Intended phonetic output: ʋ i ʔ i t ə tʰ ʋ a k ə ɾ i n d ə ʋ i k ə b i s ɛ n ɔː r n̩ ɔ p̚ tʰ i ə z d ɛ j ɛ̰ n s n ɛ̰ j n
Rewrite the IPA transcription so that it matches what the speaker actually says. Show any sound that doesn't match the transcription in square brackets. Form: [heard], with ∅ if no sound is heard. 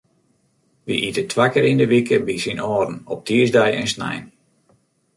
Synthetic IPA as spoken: ʋ i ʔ i t ə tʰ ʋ a k ə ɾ i n d ə ʋ i k ə b i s [i] n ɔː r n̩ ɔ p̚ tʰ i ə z d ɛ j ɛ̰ n s n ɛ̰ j n